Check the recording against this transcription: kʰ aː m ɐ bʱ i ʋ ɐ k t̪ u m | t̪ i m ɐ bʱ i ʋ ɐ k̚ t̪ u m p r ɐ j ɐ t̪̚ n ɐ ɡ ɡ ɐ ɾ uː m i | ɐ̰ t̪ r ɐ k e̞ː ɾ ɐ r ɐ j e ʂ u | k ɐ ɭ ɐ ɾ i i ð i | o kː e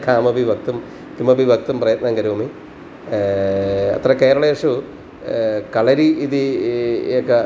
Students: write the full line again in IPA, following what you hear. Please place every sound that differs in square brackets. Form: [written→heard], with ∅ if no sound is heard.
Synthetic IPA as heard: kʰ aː m ɐ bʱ i ʋ ɐ k t̪ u m | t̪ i m ɐ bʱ i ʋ ɐ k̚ t̪ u m p r ɐ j ɐ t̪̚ n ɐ [ɡ→ŋ] ɡ ɐ ɾ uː m i | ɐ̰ t̪ r ɐ k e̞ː ɾ ɐ [r→ɭ] ɐ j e ʂ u | k ɐ ɭ ɐ ɾ i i ð i | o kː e